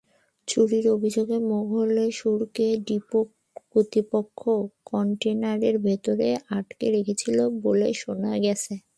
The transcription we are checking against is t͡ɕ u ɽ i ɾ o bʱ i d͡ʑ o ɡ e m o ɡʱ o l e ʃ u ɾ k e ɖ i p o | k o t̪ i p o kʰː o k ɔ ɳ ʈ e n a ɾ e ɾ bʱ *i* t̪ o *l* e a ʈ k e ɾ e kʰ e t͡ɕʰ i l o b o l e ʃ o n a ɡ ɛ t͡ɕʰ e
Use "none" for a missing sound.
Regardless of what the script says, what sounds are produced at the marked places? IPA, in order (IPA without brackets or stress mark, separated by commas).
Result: e, ɾ